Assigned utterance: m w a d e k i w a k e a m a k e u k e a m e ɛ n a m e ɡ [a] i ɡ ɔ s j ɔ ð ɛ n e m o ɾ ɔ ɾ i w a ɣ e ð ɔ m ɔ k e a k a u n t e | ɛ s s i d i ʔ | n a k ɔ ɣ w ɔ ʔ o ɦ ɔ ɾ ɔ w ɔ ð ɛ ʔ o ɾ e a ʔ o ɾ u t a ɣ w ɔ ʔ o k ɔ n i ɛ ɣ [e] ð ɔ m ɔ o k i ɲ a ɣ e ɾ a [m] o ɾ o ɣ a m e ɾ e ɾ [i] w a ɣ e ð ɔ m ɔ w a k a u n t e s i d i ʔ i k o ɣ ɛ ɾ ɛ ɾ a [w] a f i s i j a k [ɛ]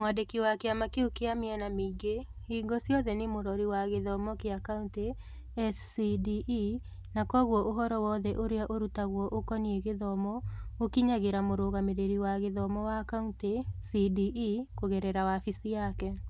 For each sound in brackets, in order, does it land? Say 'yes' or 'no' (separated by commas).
no, yes, yes, yes, yes, yes